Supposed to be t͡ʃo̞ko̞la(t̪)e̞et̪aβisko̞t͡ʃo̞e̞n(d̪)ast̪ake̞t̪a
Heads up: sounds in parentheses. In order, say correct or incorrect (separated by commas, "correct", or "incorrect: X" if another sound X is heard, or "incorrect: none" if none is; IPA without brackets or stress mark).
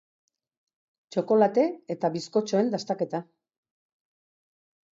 correct, correct